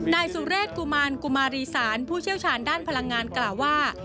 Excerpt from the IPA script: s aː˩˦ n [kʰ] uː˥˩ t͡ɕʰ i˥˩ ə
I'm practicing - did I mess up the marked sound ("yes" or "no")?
yes